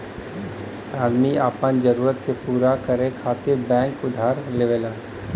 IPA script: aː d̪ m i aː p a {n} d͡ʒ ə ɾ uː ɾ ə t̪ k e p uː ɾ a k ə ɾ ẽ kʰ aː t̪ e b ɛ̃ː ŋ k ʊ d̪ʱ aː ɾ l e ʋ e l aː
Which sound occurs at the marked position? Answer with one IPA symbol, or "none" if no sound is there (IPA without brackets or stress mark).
n